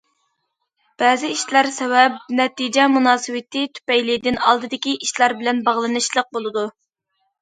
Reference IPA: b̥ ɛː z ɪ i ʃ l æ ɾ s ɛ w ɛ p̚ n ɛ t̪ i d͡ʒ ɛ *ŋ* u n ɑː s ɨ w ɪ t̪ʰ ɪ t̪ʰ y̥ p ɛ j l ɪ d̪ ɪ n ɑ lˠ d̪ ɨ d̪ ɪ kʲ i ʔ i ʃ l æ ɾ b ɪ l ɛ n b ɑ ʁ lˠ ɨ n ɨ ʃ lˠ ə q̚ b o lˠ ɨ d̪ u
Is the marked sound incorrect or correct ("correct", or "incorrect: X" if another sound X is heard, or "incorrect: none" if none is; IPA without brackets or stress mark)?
incorrect: m